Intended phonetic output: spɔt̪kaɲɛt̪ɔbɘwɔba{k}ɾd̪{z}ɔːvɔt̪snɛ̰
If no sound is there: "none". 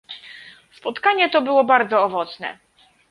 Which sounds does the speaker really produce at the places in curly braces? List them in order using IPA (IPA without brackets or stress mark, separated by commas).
none, z